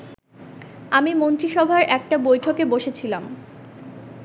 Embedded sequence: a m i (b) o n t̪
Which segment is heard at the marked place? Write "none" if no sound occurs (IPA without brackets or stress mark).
m